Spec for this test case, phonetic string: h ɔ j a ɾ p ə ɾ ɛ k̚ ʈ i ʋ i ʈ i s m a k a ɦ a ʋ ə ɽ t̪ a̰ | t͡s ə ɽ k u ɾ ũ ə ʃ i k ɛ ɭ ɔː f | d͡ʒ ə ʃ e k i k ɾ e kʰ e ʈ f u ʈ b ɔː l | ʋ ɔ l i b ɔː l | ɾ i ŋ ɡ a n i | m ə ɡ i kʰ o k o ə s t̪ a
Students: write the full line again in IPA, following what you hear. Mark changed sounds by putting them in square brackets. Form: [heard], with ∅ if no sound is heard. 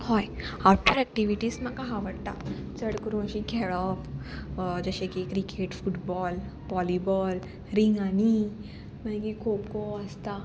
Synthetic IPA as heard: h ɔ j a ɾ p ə ɾ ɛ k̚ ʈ i ʋ i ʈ i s m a k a ɦ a ʋ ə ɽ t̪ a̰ | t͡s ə ɽ k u ɾ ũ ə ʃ i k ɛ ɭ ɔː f | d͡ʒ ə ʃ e k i k ɾ [i] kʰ e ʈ f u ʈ b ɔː l | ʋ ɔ l i b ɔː l | ɾ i ŋ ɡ a n i | m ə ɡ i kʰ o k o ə s t̪ a

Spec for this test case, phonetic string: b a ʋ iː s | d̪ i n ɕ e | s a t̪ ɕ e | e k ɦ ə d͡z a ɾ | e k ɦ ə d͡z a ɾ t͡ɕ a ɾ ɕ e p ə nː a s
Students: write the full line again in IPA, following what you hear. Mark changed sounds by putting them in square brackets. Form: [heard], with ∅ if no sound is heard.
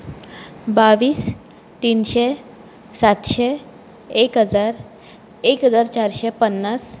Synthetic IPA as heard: b a ʋ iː s | [t̪] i n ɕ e | s a t̪ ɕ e | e k ɦ ə d͡z a ɾ | e k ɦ ə d͡z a ɾ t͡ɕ a ɾ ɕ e p ə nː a s

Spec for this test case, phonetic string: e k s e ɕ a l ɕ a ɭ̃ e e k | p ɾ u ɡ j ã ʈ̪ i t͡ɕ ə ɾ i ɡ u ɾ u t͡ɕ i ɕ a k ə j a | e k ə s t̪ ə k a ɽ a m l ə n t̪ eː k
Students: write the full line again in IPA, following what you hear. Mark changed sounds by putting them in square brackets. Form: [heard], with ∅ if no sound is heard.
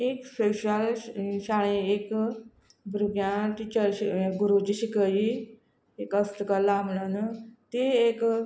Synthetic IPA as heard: e k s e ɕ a l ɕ a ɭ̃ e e k | [b] ɾ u ɡ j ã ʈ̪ i t͡ɕ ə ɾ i ɡ u ɾ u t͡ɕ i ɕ [i] k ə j [i] | e k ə s t̪ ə k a [l] a m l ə n t̪ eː k

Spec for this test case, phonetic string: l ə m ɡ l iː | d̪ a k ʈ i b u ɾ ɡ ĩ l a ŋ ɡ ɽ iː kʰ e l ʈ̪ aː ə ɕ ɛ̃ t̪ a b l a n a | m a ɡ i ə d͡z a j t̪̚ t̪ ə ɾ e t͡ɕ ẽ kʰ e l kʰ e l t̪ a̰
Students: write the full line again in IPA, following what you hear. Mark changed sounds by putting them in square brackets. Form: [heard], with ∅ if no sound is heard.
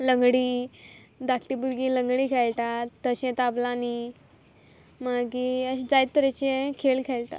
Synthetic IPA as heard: l ə [ŋ] ɡ [ɽ] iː | d̪ a k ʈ i b u ɾ ɡ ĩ l [ə] ŋ ɡ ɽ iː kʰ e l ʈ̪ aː ə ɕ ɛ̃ t̪ a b l a n [i] | m a ɡ i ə d͡z a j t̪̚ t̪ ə ɾ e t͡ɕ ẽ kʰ e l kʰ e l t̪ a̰

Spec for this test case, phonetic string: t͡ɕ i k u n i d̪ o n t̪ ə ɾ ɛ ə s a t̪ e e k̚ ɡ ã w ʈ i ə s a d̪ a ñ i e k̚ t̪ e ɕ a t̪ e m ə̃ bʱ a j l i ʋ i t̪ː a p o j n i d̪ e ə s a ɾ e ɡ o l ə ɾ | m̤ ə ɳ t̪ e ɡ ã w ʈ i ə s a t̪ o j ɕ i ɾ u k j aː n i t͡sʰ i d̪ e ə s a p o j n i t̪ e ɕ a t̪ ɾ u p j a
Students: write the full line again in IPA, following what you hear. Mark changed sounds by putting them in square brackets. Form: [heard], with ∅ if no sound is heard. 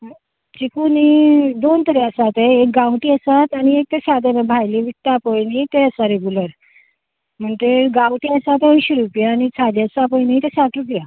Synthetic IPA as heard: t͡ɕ i k u n i d̪ o n t̪ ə ɾ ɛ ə s a t̪ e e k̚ ɡ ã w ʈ i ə s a [t̪] a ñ i e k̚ t̪ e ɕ a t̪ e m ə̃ bʱ a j l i ʋ i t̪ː a p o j n i [t̪] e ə s a ɾ e ɡ [u] l ə ɾ | m̤ ə ɳ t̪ e ɡ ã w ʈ i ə s a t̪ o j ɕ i ɾ u [p] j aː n i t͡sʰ [a] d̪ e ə s a p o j n i t̪ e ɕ a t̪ ɾ u p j a

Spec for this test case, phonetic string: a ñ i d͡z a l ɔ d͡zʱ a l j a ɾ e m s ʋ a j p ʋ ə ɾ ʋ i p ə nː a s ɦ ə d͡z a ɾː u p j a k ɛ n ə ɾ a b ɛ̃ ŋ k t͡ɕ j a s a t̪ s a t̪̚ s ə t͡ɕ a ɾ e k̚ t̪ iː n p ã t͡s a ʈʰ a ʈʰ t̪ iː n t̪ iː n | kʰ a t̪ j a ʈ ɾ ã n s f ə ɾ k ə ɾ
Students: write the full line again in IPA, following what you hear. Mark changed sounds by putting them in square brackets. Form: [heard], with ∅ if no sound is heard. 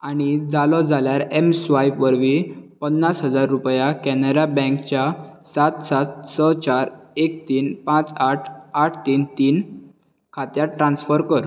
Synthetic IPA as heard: a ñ i d͡z a l ɔ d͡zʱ a l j a ɾ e m s ʋ a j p ʋ ə ɾ ʋ i p ə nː a s ɦ ə d͡z a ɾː u p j a k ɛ n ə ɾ a b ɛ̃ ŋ k t͡ɕ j a s a t̪ s a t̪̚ s ə t͡ɕ a ɾ e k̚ t̪ iː n p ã t͡s a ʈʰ a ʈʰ t̪ iː n t̪ iː n | kʰ a t̪ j a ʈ ɾ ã n s f ə ɾ k ə ɾ

